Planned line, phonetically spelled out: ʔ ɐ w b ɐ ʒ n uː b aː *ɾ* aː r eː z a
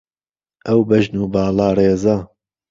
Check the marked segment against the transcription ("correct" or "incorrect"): incorrect